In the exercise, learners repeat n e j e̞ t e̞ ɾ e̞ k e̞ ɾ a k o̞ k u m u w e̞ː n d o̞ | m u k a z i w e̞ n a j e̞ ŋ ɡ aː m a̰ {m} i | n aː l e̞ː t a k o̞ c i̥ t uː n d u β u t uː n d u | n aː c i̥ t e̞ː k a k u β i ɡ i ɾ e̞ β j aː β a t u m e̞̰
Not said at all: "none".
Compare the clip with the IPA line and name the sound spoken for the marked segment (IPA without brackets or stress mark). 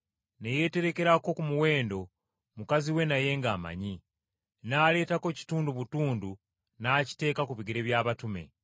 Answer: ɲ